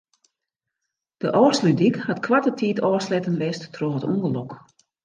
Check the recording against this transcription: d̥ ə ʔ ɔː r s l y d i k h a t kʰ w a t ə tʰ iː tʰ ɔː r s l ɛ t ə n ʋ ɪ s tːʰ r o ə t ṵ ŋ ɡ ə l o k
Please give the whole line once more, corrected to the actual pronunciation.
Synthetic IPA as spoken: d̥ ə ʔ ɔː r s l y d i k h a t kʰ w a t ə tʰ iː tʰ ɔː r s l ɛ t ə n ʋ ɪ s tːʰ r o ə t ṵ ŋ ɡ ə l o k